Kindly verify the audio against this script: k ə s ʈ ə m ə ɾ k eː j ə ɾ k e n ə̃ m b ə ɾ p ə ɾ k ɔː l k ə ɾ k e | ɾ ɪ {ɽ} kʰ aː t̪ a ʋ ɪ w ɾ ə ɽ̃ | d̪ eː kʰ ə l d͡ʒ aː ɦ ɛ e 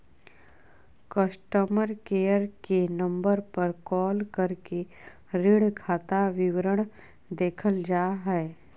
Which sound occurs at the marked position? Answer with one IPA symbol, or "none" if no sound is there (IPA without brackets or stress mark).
ɽ